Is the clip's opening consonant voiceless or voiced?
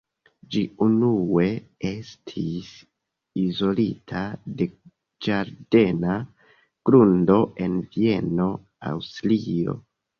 voiced